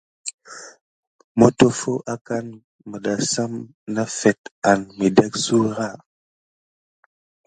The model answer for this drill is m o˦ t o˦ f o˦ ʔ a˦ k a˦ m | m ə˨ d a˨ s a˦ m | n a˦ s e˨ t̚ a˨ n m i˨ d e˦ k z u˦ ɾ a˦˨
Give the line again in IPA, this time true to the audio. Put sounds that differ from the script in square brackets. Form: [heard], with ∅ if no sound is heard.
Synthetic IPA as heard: m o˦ t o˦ f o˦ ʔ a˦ k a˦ [n] | m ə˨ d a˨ s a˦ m | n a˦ [f] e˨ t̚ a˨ n m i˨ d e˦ k [s] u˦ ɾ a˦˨